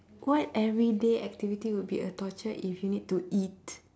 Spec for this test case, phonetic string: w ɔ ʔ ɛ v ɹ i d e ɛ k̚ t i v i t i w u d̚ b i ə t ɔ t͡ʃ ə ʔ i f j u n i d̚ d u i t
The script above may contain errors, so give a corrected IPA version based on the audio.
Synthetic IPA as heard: w ɔ t ɛ v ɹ i d e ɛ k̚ t i v i t i w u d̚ b i ə t ɔ t͡ʃ ə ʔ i f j u n i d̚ t u i t